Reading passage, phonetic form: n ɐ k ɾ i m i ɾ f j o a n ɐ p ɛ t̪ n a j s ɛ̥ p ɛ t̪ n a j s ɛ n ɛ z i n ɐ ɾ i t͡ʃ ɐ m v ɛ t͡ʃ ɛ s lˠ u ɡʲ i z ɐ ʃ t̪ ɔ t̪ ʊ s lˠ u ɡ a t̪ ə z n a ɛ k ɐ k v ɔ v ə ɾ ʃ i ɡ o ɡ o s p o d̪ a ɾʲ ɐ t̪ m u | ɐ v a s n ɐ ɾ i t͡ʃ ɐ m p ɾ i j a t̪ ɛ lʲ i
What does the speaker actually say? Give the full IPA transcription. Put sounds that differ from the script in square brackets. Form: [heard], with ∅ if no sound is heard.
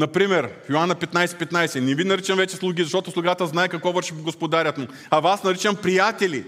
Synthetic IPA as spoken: n ɐ [p] ɾ i m [ɛ] ɾ f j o a n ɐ p ɛ t̪ n a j s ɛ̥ p ɛ t̪ n a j s ɛ n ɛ [v] i n ɐ ɾ i t͡ʃ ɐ m v ɛ t͡ʃ ɛ s lˠ u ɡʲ i z ɐ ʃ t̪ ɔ t̪ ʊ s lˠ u ɡ a t̪ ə z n a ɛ k ɐ k v ɔ v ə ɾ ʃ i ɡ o ɡ o s p o d̪ a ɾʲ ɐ t̪ m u | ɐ v a s n ɐ ɾ i t͡ʃ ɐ m p ɾ i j a t̪ ɛ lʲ i